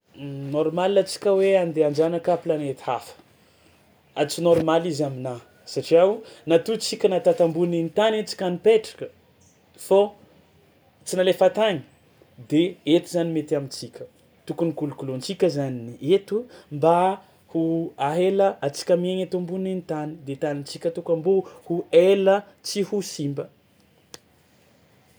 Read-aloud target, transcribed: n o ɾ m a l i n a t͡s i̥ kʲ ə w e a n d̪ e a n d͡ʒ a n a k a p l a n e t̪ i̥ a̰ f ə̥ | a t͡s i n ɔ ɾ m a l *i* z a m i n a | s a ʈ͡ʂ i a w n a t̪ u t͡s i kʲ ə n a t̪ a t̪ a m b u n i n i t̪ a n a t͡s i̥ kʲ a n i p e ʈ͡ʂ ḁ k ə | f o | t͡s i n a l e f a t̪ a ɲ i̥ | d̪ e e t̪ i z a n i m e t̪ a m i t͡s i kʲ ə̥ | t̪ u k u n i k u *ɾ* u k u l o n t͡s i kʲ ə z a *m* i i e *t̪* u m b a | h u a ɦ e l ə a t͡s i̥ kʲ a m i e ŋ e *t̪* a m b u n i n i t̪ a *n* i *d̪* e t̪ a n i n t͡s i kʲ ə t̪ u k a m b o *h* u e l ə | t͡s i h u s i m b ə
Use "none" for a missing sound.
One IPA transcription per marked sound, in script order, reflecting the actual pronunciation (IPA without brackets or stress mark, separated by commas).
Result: i, l, n, t̪, t̪, n, d̪, h